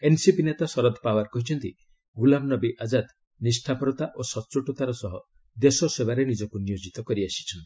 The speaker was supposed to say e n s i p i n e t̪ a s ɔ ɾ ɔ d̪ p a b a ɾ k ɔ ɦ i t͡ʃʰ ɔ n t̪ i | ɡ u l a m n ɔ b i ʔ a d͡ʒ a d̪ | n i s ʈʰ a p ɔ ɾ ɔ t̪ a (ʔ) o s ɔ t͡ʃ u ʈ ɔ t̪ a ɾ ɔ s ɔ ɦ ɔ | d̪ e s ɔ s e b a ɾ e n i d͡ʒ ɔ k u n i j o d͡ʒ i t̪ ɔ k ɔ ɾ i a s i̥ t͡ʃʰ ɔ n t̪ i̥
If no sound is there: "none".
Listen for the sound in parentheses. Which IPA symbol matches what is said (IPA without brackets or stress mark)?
ʔ